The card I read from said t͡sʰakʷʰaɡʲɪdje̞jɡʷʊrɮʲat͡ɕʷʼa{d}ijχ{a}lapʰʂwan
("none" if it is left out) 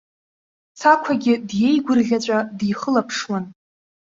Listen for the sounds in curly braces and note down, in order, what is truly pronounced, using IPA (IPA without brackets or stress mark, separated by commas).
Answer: d, ə